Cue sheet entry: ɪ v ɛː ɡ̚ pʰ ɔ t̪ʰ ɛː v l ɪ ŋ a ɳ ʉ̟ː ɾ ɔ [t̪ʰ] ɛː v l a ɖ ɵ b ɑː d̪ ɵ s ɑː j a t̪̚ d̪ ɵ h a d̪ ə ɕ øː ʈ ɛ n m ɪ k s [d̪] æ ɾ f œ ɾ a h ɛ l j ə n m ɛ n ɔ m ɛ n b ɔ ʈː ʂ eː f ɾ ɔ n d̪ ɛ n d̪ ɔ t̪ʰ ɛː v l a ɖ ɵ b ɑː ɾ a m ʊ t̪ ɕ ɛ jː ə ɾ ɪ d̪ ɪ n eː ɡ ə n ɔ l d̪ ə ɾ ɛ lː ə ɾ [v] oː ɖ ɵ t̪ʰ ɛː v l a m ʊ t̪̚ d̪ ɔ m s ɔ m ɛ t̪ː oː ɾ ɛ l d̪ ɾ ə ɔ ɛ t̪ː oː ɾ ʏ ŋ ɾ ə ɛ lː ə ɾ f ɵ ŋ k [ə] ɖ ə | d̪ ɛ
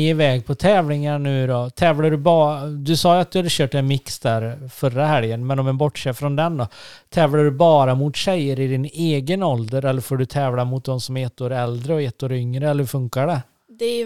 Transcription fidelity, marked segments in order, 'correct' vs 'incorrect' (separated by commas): correct, correct, incorrect, incorrect